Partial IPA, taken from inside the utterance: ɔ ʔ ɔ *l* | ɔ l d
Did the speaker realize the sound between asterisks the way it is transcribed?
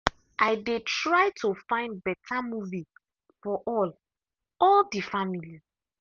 yes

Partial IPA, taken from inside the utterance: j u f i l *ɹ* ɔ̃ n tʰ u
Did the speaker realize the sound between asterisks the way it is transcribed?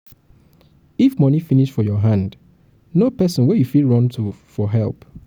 yes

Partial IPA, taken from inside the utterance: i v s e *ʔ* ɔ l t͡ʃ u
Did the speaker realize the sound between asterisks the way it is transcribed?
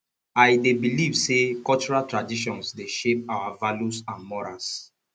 no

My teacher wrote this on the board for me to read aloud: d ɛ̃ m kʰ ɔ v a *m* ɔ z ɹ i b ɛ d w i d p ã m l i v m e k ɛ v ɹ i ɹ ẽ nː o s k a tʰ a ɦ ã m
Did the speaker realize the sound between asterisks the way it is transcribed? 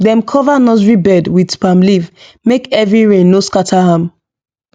no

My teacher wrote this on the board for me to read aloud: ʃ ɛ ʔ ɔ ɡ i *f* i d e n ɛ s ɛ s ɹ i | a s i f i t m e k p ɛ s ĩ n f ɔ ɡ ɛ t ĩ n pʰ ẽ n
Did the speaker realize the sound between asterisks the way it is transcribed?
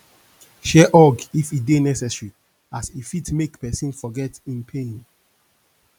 yes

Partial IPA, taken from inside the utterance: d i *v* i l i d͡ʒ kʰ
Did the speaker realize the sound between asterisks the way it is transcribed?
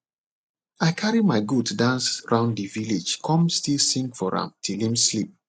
yes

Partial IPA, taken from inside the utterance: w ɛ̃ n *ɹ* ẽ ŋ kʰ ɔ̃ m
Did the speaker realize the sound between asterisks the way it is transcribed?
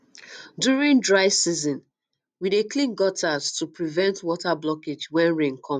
yes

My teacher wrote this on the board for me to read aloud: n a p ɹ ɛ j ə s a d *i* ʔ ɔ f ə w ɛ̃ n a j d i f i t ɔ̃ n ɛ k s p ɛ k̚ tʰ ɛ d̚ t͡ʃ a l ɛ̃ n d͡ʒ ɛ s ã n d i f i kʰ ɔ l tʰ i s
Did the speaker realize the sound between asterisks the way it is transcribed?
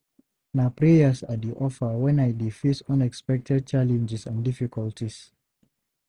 yes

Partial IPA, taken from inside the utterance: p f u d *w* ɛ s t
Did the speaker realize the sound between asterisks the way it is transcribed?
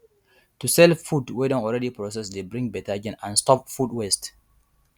yes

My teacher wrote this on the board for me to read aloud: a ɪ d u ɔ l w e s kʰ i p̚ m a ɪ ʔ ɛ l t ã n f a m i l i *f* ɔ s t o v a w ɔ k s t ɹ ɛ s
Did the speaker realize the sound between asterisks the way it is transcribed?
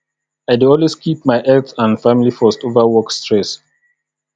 yes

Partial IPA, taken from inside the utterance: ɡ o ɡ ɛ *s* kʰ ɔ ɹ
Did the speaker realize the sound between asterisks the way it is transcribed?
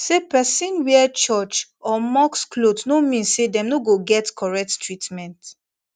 no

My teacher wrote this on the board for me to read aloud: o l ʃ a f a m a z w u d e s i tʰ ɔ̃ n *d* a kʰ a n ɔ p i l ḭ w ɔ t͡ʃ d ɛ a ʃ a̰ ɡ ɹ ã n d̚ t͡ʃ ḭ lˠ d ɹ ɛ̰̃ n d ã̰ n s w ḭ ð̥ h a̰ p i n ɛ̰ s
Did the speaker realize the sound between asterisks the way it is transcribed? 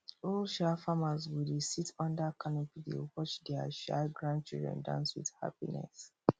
yes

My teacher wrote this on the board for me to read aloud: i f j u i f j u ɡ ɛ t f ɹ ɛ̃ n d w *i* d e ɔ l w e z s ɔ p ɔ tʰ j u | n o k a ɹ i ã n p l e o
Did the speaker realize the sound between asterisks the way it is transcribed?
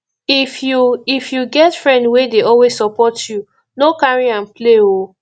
no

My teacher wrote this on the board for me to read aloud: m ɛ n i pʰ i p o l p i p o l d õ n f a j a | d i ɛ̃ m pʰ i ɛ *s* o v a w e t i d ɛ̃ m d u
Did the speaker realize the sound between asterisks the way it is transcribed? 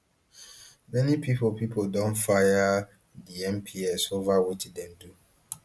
yes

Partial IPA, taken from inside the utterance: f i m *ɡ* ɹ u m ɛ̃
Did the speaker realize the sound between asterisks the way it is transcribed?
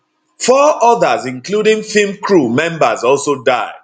no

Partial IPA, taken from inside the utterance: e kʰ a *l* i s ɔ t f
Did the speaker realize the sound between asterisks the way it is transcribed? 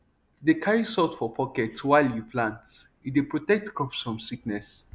no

